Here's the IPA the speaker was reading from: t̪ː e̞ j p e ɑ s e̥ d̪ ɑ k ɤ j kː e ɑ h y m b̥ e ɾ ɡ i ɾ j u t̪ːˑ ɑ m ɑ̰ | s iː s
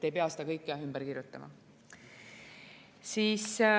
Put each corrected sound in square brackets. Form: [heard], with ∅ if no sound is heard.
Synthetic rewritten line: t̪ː e̞ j p e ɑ s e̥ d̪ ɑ k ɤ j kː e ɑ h y m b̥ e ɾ [k] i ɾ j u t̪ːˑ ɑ m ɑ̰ | s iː s

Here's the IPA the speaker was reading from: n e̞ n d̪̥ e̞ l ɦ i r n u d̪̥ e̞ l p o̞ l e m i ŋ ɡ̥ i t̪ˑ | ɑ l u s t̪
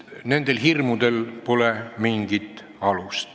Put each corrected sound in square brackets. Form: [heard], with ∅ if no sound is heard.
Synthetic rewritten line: n e̞ n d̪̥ e̞ l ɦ i r [m] u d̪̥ e̞ l p o̞ l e m i ŋ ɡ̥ i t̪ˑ | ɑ l u s t̪

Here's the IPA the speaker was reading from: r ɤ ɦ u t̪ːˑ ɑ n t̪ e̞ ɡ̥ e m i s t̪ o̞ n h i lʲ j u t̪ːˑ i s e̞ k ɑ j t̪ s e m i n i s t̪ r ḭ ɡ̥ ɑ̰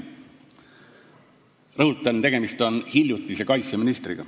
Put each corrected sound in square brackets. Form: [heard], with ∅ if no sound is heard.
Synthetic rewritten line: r ɤ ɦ u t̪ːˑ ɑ n t̪ e̞ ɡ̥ e m i s t̪ o̞ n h i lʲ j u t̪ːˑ i s e̞ k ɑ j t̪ s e m i n i s t̪ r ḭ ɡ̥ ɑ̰

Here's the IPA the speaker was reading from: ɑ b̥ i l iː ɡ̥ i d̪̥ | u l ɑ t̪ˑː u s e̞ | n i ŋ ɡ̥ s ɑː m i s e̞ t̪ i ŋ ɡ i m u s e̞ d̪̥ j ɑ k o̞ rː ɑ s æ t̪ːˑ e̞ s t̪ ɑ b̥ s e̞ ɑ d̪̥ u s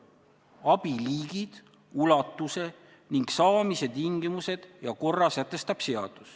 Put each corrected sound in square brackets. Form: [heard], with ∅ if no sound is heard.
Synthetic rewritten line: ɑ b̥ i l iː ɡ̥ i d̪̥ | u l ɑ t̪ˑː u s e̞ | n i ŋ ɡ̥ s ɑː m i s e̞ t̪ i ŋ ɡ i m u s e̞ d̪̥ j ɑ k o̞ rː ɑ s æ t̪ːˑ e̞ s t̪ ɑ b̥ s e̞ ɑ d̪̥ u s

